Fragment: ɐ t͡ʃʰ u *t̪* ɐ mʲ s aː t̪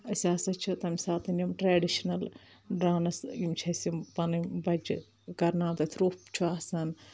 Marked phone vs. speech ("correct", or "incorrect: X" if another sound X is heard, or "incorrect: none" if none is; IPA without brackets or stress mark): correct